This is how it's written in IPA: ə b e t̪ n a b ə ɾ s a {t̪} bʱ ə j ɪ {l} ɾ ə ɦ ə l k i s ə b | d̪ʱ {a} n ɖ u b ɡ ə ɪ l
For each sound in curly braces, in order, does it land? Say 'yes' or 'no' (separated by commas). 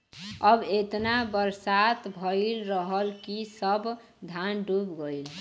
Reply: yes, yes, yes